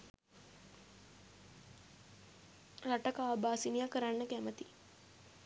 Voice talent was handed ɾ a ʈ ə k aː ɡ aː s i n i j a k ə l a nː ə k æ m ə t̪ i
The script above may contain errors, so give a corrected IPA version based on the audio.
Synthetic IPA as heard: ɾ a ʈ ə k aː b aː s i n i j a k ə ɾ a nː ə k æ m ə t̪ i